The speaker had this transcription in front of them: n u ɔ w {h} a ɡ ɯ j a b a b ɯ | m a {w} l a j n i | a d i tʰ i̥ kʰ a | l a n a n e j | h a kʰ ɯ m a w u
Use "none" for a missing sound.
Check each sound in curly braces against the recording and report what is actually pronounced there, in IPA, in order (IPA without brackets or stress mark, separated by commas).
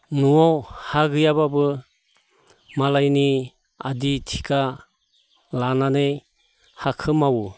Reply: h, none